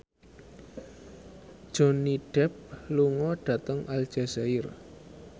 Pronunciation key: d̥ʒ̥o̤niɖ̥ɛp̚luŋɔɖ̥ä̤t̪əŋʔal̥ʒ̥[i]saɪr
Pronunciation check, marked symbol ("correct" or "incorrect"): incorrect